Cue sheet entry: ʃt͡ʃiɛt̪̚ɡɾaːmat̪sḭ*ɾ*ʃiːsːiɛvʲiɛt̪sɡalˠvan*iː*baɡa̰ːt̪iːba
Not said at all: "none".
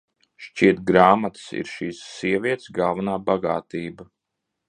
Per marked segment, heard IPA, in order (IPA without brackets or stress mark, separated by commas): ɾ, aː